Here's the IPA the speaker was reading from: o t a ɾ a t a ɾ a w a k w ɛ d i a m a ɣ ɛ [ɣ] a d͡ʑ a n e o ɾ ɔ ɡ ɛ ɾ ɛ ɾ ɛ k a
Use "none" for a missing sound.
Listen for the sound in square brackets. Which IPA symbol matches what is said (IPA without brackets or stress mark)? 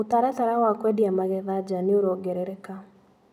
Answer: ð